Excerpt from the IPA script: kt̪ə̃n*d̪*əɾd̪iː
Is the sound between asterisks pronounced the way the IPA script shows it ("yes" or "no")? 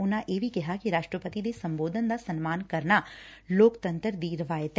no